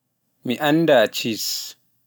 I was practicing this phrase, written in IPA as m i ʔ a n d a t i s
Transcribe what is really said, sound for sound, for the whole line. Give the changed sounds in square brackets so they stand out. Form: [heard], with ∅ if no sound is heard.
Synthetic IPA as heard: m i ʔ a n d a [t͡ʃ] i s

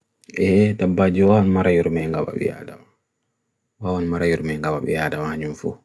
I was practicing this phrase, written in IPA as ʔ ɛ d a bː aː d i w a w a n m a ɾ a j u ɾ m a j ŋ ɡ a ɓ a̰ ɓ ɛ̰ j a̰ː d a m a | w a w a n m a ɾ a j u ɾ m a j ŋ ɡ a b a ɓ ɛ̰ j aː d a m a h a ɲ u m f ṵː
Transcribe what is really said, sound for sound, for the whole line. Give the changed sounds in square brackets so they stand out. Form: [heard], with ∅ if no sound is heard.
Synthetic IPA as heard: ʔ ɛ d a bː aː [d͡ʒ] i w a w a n m a ɾ a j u ɾ m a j ŋ ɡ a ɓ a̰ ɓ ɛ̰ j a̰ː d a m a | w a w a n m a ɾ a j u ɾ m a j ŋ ɡ a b a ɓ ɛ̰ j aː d a m a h a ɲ u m f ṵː

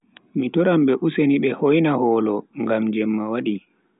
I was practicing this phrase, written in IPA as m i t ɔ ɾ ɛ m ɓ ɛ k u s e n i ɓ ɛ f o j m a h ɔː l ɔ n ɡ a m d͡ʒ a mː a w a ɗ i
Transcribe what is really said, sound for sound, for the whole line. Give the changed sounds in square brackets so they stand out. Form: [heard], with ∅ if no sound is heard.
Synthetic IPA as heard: m i t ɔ ɾ [a] m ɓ ɛ [ʔ] u s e n i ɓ ɛ [h] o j [n] a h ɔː l ɔ [ŋ] ɡ a m d͡ʒ [ɛ] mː a w a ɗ i

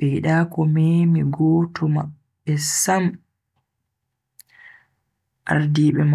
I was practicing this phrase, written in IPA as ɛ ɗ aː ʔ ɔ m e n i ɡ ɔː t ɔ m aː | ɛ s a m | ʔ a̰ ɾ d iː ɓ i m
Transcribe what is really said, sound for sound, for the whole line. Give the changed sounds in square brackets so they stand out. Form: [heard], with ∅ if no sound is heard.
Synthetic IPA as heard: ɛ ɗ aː [k] ɔ m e [m] i ɡ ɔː t ɔ m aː | ɛ s a m | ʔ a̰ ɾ d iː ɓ [ɛ] m

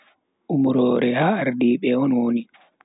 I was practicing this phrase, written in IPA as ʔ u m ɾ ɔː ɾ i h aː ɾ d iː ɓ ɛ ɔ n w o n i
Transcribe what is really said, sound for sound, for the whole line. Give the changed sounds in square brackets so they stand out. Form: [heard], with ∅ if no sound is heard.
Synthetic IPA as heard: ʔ u m ɾ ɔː ɾ [ɛ] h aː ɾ d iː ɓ ɛ ɔ n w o n i

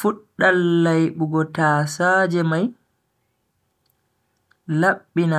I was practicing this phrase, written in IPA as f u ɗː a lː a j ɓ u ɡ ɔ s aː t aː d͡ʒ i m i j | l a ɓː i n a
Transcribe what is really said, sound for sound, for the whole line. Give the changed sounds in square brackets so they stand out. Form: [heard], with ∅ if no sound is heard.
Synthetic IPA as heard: f u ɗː a lː a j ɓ u ɡ ɔ [t] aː [s] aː d͡ʒ [ɛ] m [a] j | l a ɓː i n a

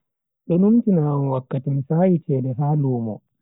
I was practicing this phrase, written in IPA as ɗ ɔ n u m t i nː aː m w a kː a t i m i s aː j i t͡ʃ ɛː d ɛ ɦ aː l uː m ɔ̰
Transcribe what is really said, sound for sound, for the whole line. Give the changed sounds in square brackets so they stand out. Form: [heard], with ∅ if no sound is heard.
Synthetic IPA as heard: ɗ ɔ n u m t i [n] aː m w a kː a t i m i s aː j i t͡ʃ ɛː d ɛ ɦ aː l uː m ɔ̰

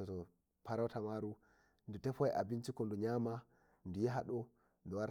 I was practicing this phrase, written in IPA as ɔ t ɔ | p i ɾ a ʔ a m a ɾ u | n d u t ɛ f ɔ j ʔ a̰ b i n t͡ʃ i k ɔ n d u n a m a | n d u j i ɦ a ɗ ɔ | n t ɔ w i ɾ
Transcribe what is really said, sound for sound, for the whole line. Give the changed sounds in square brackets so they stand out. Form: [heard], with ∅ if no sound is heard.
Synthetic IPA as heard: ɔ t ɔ | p [a] ɾ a [t] a m a ɾ u | n d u t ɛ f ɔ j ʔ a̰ b i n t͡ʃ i k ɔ n d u [ɲ] a m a | n d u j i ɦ a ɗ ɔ | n [d] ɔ w [a] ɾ

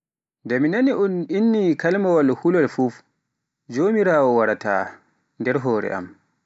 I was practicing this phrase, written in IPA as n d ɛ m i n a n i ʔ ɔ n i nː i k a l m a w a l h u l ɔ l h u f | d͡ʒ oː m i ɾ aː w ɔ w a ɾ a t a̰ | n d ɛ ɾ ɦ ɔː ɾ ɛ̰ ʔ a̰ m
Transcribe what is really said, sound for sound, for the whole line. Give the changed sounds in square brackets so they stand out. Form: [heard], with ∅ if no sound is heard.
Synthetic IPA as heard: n d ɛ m i n a n i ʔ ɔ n i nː i k a l m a w a l h u l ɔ l [f] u f | d͡ʒ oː m i ɾ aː w ɔ w a ɾ a t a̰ | n d ɛ ɾ ɦ ɔː ɾ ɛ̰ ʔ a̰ m

